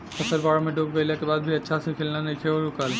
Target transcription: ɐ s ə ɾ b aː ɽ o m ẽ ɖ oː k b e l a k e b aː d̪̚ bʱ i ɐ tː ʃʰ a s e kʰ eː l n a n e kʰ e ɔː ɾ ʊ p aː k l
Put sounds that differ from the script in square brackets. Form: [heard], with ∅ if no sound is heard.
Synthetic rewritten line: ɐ s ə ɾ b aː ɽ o m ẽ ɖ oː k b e l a k e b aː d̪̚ bʱ i ɐ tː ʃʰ a s e kʰ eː l n a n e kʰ e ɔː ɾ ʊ [k] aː [∅] l

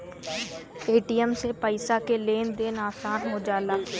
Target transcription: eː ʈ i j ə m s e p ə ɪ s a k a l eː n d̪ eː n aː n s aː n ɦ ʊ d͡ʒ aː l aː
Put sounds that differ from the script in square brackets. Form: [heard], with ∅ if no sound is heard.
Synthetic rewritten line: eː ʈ i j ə m s e p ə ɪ s a k [e] l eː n d̪ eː n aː [∅] s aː n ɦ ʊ d͡ʒ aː l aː

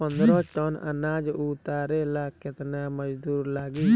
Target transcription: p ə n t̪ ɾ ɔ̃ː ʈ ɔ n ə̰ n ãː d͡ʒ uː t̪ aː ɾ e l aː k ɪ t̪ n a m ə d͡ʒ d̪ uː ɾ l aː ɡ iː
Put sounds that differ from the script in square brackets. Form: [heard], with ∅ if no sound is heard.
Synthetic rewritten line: p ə n [d̪] ɾ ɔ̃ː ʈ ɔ n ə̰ n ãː d͡ʒ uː t̪ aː ɾ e l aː k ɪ t̪ n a m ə d͡ʒ d̪ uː ɾ l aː ɡ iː

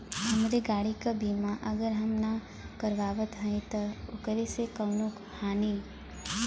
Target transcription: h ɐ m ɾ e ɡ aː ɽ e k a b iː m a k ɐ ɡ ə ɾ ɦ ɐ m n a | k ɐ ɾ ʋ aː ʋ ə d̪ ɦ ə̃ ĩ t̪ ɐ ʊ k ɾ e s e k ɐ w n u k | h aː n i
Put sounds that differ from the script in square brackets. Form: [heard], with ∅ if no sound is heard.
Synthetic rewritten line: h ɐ m ɾ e ɡ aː ɽ [i] k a b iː m a [ʔ] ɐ ɡ ə ɾ ɦ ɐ m n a | k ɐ ɾ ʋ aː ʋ ə [t̪] ɦ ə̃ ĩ t̪ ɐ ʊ k ɾ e s e k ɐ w n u k | h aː n i

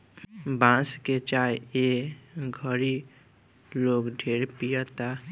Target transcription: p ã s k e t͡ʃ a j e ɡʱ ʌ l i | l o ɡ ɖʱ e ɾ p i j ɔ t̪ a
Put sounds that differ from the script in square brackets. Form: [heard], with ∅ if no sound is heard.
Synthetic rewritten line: [b] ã s k e t͡ʃ a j e ɡʱ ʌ [ɾ] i | l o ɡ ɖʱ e ɾ p i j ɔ t̪ a

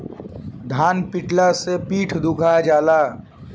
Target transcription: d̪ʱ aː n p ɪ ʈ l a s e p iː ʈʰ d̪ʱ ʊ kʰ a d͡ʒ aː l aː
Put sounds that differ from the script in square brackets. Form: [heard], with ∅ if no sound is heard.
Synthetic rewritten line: d̪ʱ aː n p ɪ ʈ l a s e p iː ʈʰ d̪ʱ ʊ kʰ a d͡ʒ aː l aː

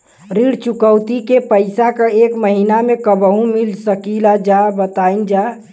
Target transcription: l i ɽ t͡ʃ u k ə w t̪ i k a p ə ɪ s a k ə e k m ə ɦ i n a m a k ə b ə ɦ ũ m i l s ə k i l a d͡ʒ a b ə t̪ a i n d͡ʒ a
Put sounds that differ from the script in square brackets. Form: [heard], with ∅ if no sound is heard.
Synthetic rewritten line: [ɾ] i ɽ t͡ʃ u k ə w t̪ i k [e] p ə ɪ s a k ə e k m ə ɦ i n a m [e] k ə b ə ɦ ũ m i l s ə k i l a d͡ʒ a b ə t̪ a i n d͡ʒ a

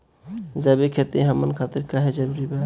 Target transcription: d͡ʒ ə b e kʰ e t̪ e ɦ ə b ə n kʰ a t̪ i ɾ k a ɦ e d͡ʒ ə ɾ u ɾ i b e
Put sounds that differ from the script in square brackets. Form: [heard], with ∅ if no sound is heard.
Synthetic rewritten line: d͡ʒ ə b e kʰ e t̪ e ɦ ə [m] ə n kʰ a t̪ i ɾ k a ɦ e d͡ʒ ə ɾ u ɾ i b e

